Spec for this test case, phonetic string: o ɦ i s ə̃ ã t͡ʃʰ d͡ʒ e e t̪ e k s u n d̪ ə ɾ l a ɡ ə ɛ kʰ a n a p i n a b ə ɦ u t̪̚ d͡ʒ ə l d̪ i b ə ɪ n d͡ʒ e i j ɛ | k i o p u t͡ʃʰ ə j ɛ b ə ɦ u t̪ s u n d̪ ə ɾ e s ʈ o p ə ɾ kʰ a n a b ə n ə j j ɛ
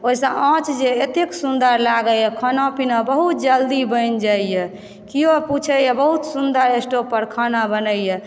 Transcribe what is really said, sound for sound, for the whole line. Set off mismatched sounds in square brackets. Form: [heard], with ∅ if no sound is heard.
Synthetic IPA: o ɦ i s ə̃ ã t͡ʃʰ d͡ʒ e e t̪ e k s u n d̪ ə ɾ l a ɡ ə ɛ kʰ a n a p i n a b ə ɦ u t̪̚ d͡ʒ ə l d̪ i b ə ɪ n d͡ʒ [a] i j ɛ | k i o p u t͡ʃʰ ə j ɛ b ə ɦ u t̪ s u n d̪ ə ɾ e s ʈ o p ə ɾ kʰ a n a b ə n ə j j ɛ